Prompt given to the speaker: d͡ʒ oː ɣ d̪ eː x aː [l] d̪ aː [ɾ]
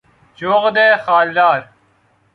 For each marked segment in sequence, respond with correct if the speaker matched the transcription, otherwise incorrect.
correct, correct

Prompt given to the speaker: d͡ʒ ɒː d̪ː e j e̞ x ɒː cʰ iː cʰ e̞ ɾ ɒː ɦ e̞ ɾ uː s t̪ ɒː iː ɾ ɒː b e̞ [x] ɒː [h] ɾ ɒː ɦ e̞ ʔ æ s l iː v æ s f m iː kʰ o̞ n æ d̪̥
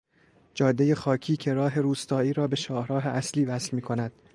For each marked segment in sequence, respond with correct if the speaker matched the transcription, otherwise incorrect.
incorrect, correct

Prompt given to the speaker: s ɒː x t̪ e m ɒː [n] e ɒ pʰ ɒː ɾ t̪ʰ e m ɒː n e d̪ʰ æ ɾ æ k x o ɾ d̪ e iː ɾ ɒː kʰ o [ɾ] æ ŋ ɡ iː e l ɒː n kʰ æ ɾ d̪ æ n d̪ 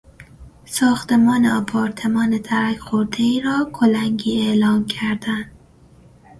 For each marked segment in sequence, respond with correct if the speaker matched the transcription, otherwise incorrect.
correct, incorrect

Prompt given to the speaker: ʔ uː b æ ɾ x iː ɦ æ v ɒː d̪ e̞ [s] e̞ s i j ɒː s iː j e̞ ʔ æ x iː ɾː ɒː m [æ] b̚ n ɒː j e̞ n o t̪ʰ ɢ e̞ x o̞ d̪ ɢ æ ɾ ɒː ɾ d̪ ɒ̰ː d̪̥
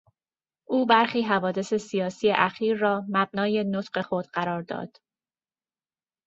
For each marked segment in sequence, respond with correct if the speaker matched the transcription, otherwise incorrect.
correct, correct

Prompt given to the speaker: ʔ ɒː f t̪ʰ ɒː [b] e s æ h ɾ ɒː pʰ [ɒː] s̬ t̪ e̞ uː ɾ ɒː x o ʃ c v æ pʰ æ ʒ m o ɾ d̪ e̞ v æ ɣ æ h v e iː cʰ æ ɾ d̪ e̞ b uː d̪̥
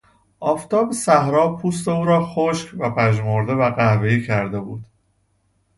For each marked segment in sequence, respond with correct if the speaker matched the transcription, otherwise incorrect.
correct, incorrect

